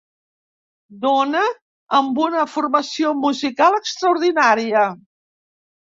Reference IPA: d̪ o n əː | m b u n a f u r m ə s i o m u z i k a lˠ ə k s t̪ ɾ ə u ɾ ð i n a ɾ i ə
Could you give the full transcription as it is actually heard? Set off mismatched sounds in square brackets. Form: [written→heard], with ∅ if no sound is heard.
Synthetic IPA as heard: d̪ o n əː | m b u n [a→ə] f u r m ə s i o m u z i k a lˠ ə k s t̪ ɾ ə u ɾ ð i n a ɾ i ə